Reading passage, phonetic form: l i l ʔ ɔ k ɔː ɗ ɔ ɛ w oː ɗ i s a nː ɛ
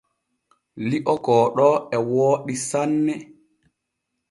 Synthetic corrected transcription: l i ʔ ɔ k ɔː ɗ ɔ ɛ w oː ɗ i s a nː ɛ